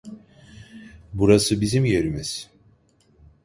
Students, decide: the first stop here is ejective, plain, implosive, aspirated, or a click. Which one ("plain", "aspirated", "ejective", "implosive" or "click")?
plain